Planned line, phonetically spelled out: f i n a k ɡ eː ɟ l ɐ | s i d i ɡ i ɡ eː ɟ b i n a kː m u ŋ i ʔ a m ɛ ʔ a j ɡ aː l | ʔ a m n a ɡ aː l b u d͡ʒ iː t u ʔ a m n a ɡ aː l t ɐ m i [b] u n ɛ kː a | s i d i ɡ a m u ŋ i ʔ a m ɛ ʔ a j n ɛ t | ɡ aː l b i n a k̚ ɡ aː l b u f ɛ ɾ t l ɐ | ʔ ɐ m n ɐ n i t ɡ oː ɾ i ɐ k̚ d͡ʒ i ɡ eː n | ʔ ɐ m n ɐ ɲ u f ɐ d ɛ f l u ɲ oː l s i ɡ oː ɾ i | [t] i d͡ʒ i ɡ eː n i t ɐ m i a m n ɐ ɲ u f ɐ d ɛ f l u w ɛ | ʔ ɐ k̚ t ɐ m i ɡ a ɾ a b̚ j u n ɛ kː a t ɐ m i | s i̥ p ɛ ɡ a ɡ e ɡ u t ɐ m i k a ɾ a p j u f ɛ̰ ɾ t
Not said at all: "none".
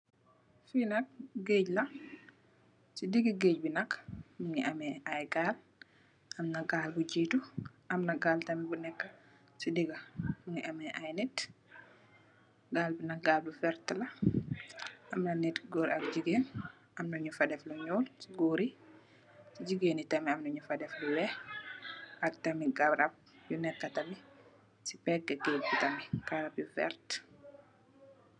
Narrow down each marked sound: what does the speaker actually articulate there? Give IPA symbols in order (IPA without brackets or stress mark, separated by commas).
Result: b, s